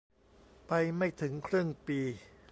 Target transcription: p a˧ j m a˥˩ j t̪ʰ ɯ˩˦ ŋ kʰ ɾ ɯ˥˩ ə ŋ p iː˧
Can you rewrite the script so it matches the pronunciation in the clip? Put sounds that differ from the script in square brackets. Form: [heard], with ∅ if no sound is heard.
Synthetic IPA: p a˧ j m a˥˩ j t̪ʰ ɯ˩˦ ŋ kʰ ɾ ɯ˥˩ ə ŋ p iː˧